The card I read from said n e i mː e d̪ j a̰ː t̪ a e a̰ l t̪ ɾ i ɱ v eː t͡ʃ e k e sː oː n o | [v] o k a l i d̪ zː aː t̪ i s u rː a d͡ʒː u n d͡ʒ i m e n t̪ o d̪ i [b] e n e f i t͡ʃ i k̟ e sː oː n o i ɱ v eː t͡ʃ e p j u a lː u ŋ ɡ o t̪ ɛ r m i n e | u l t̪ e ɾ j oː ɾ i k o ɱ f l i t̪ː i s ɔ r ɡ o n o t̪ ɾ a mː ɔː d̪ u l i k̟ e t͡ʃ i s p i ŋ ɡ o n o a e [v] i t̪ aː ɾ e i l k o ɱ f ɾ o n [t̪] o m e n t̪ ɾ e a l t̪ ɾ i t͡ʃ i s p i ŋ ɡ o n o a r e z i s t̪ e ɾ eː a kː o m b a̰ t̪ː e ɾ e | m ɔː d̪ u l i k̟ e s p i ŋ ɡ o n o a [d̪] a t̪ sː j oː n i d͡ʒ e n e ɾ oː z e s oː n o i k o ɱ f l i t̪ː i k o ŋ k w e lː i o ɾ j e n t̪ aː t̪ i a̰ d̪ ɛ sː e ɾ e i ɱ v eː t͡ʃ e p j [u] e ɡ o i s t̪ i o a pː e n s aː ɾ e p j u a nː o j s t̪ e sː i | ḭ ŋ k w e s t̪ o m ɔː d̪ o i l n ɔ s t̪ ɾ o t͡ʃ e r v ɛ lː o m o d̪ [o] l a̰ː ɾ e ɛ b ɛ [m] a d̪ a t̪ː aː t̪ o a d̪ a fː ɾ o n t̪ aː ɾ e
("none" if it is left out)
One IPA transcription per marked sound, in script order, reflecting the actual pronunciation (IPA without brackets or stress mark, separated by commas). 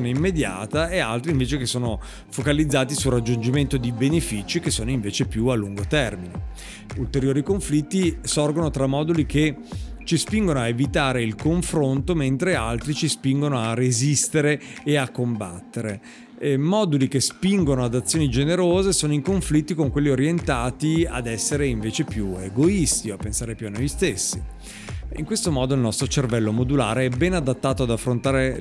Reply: f, b, v, t̪, d̪, u, u, n